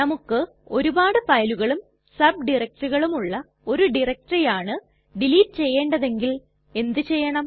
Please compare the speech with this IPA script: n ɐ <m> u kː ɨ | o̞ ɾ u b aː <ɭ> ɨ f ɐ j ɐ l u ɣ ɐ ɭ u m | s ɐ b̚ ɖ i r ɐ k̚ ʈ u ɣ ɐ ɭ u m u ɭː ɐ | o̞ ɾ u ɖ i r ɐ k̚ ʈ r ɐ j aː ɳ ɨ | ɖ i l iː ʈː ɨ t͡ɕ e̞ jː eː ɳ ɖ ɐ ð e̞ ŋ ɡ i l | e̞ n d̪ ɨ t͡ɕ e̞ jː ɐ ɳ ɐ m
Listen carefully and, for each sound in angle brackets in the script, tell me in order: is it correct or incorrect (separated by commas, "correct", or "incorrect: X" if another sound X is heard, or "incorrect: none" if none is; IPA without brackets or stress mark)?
correct, incorrect: ɽ